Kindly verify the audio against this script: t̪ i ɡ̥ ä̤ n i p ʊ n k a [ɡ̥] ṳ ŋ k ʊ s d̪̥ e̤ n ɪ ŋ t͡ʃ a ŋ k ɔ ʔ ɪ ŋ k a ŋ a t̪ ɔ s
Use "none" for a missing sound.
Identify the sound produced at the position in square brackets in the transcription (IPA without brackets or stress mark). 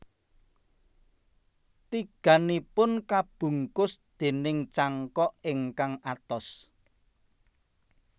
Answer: b̥